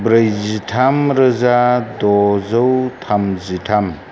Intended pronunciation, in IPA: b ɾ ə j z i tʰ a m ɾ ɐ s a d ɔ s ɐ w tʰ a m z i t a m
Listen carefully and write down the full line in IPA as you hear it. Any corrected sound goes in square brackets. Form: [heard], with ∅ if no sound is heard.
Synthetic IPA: b ɾ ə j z i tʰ a m ɾ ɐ [z] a d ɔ [z] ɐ w tʰ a m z i [tʰ] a m